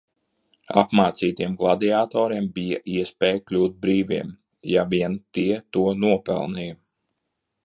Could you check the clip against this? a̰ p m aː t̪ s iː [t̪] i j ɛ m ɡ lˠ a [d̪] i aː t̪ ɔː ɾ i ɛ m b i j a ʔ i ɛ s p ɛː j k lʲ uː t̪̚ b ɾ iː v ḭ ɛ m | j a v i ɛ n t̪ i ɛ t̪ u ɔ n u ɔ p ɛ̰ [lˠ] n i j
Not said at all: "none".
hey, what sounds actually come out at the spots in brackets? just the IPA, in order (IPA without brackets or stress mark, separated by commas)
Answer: t̪, d̪, lˠ